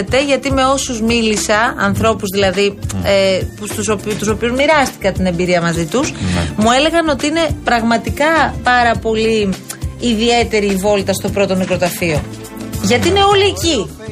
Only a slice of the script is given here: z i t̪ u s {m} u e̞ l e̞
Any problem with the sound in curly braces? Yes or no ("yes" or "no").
no